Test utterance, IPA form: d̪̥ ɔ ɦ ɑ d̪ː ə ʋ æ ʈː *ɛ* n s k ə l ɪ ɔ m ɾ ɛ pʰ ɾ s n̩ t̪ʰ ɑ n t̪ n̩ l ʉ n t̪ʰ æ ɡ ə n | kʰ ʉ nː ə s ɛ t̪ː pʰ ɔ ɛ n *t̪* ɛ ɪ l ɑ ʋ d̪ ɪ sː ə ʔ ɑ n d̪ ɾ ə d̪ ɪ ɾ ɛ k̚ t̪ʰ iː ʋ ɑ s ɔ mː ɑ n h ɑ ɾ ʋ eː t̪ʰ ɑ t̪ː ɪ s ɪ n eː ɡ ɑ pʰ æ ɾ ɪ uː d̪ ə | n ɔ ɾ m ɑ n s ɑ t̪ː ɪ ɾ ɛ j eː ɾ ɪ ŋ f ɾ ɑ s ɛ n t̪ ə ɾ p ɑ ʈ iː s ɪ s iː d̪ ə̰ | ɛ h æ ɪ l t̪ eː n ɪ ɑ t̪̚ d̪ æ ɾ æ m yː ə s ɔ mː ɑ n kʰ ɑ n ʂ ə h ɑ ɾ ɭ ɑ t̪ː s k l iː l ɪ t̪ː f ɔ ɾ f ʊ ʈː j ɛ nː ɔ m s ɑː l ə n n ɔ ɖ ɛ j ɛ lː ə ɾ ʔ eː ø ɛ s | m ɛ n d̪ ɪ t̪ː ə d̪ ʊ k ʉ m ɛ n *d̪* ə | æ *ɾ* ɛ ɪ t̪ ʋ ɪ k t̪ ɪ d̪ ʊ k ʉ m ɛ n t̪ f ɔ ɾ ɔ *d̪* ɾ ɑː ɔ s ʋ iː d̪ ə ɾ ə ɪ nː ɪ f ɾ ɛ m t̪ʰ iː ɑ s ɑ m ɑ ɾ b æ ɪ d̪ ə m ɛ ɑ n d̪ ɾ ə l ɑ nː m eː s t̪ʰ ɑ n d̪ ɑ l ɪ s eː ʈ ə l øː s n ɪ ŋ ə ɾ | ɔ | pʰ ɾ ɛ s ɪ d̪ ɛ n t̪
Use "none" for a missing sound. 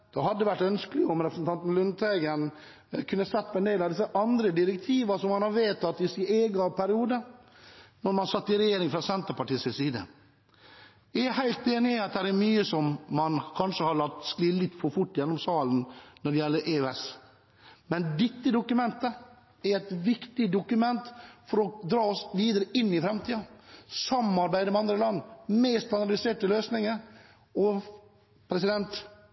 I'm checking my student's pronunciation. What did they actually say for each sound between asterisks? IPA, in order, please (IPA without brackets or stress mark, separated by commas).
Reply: œ, d̪, t̪, ɾ, d̪